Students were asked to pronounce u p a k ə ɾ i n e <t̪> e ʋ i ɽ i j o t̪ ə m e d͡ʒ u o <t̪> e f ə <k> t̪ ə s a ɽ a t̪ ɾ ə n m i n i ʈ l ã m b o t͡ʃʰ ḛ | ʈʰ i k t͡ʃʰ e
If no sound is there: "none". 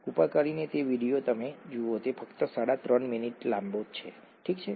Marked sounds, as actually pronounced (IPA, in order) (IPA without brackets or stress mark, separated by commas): t̪, t̪, k